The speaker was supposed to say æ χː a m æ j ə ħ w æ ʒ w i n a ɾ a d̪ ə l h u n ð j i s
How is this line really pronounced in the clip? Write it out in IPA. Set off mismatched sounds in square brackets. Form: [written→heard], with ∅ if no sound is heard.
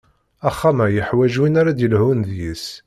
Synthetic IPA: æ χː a m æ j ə ħ w æ ʒ w i n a ɾ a d̪ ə l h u n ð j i s